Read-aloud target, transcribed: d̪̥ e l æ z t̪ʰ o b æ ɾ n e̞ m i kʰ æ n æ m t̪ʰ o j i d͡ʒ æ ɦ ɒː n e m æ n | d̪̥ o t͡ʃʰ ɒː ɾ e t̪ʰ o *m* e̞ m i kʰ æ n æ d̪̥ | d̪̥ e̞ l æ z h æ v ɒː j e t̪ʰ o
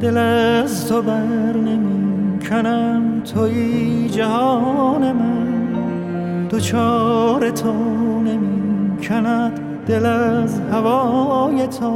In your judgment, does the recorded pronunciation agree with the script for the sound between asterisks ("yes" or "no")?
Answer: no